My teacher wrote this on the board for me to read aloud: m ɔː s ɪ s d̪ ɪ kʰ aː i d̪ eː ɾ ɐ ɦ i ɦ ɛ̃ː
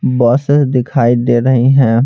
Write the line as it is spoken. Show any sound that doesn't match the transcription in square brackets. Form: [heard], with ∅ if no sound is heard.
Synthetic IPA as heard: [b] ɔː s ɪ s d̪ ɪ kʰ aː i d̪ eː ɾ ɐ ɦ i ɦ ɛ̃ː